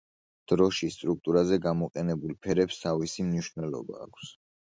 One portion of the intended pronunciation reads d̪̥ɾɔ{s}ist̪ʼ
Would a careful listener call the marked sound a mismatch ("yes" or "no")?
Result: yes